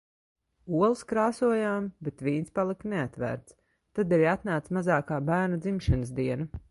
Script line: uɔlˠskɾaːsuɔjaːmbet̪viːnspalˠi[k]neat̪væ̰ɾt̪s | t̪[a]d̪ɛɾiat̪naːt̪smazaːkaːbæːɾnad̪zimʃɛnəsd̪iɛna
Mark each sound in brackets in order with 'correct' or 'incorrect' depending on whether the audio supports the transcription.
correct, correct

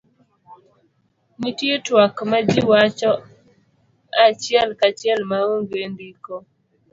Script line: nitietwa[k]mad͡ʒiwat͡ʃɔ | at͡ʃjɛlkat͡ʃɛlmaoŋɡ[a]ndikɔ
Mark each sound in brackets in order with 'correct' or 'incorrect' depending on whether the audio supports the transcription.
correct, incorrect: e

